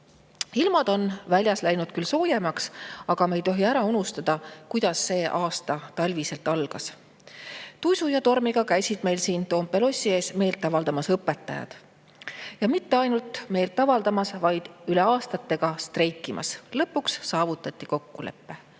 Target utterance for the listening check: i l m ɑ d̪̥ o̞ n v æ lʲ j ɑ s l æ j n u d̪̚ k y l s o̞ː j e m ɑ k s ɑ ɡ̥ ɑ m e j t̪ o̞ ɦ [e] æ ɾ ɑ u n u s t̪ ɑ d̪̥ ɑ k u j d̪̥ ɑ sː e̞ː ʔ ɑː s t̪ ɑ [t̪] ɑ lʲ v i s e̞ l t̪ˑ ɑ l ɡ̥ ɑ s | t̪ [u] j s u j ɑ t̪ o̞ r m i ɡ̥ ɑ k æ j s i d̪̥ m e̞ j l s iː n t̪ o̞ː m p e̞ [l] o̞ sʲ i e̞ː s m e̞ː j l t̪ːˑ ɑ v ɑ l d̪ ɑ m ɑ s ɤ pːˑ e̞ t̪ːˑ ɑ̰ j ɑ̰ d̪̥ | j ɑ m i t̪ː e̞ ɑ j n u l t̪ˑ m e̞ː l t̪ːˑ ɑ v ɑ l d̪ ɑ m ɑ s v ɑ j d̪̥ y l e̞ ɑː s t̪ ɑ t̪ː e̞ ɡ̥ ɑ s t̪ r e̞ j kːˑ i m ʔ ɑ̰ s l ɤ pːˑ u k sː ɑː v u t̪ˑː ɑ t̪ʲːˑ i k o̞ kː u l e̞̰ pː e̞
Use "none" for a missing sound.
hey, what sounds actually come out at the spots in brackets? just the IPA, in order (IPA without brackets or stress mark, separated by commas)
i, t̪, u, l